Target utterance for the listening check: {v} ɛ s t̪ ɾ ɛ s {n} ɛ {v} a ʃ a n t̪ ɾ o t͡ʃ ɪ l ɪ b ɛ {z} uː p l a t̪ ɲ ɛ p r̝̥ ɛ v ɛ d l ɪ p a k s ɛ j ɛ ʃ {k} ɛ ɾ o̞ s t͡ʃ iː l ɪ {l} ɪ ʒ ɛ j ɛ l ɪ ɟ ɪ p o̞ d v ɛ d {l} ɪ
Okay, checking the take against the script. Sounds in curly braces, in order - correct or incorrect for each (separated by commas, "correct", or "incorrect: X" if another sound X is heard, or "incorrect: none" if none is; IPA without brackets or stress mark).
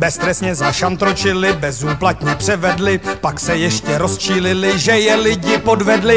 incorrect: b, incorrect: ɲ, incorrect: z, correct, incorrect: c, correct, correct